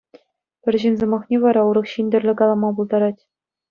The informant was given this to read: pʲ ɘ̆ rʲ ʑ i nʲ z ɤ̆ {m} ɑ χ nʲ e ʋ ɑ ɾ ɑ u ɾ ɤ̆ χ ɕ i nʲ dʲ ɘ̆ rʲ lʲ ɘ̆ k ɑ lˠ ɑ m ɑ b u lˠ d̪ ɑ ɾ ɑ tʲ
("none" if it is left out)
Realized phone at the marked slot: m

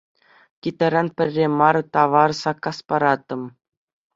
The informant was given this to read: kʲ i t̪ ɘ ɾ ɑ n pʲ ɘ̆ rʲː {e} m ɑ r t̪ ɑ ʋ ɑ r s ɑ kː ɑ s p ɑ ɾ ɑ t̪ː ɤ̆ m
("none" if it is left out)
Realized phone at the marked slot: e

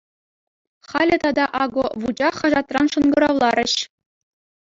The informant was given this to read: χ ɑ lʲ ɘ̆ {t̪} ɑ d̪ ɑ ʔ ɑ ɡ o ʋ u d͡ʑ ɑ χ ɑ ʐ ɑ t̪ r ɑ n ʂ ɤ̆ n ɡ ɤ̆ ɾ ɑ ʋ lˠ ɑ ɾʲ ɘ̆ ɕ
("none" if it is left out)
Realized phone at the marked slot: t̪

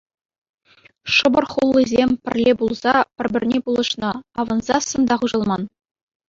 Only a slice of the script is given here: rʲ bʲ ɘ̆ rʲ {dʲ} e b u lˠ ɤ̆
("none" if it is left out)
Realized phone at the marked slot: nʲ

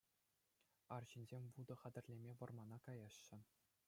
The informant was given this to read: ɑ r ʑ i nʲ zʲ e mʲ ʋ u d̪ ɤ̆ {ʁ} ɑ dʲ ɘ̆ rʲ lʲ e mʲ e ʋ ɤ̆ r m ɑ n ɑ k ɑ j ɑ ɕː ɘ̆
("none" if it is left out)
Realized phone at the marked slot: χ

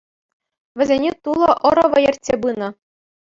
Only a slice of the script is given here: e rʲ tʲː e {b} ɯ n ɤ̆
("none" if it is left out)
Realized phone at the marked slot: b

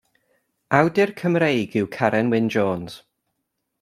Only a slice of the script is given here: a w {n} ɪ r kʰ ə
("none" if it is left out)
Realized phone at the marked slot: d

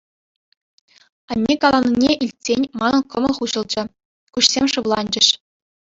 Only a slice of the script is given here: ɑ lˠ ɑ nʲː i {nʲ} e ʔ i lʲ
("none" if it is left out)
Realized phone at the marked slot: nʲ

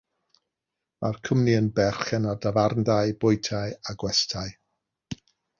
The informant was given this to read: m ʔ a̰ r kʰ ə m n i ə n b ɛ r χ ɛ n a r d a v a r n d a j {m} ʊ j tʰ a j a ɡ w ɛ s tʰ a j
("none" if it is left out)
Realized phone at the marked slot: b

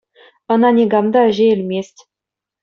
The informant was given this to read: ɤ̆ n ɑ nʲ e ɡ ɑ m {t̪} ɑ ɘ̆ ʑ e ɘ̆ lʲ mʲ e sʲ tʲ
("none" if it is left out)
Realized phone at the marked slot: d̪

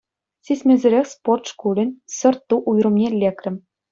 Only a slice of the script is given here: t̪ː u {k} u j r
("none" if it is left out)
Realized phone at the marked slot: ʔ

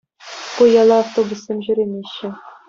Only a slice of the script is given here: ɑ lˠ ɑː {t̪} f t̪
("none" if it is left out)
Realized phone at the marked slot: none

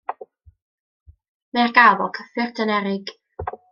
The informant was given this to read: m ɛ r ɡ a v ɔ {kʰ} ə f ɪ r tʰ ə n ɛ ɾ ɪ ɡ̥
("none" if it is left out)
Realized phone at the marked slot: kʰ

